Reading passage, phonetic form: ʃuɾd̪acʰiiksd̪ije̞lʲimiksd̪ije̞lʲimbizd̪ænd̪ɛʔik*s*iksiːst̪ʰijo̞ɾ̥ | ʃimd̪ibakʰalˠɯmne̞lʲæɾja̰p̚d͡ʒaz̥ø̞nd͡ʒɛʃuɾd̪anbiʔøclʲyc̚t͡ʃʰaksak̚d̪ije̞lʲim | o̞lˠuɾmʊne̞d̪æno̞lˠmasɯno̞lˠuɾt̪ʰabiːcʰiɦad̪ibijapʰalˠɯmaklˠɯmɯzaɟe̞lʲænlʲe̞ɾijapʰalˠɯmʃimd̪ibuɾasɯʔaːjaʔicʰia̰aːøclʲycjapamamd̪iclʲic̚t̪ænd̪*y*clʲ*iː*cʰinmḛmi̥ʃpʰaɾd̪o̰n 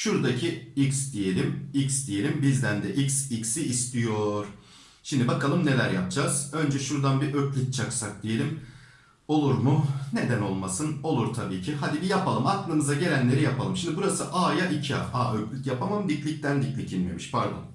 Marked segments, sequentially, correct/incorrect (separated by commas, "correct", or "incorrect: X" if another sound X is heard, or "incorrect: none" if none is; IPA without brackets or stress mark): correct, incorrect: i, incorrect: i